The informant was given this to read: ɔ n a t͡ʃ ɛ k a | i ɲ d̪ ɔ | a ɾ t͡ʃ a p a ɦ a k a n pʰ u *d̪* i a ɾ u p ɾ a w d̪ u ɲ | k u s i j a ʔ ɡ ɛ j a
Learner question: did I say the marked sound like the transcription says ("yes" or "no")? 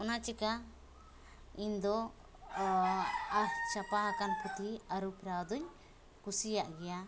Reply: no